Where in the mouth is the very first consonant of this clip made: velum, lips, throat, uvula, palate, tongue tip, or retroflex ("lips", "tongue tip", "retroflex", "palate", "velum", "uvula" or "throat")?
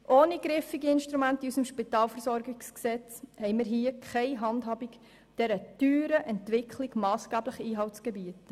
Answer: throat